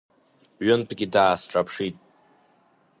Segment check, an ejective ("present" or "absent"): present